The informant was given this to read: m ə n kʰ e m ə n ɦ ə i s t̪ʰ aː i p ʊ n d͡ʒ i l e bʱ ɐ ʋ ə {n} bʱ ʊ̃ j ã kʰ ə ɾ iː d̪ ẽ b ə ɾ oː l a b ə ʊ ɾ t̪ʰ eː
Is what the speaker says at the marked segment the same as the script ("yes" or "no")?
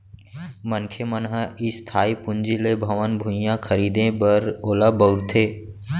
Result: yes